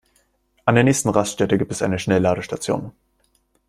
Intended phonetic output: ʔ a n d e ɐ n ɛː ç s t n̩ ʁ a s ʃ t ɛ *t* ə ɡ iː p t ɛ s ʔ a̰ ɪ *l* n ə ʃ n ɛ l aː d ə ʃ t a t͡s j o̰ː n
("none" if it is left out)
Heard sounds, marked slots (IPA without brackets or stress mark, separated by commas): t, none